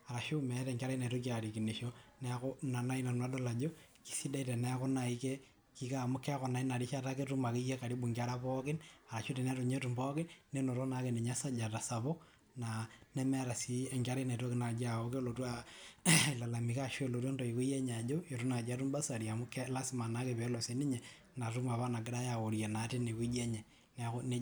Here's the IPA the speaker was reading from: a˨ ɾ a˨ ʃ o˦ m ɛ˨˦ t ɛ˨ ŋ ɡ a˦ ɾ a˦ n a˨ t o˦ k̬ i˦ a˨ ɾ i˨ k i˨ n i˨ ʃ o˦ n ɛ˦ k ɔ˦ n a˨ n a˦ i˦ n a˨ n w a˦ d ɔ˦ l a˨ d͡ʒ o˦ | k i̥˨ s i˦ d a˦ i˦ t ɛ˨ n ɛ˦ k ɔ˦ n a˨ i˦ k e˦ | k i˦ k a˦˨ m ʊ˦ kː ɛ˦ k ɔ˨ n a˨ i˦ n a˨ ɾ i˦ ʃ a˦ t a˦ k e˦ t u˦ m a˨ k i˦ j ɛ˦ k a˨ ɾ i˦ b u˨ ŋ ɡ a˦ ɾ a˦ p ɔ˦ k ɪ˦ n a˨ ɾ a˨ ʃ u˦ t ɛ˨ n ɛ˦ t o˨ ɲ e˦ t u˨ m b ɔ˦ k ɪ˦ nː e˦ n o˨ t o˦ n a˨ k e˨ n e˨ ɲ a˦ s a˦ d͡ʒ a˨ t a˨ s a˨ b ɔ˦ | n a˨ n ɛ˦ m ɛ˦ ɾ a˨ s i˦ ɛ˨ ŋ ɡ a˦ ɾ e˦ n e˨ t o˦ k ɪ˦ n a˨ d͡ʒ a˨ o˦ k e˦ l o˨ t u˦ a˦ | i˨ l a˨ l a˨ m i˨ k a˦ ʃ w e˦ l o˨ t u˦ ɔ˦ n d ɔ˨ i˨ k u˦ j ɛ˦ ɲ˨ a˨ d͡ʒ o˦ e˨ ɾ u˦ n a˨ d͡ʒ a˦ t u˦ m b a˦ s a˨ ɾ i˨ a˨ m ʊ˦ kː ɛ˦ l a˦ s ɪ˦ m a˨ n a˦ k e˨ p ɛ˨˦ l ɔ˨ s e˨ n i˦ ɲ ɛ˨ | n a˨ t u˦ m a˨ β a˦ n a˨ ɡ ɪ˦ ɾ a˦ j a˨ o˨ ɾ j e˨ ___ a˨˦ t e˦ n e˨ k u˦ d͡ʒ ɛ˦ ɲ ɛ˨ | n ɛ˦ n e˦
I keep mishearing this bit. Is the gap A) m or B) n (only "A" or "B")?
B